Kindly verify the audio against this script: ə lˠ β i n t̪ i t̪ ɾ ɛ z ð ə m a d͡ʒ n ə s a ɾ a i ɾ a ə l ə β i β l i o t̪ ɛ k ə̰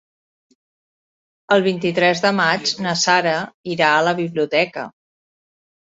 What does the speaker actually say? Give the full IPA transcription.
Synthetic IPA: ə lˠ β i n t̪ i t̪ ɾ ɛ z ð ə m a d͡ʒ n ə s a ɾ ə i ɾ a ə l ə β i β l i u t̪ ɛ k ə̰